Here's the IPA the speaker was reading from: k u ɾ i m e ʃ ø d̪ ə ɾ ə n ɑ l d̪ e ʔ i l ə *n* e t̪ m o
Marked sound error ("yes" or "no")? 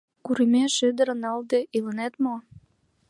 no